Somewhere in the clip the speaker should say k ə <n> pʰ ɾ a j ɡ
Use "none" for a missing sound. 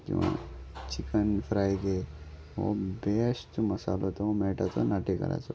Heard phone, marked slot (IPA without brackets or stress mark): n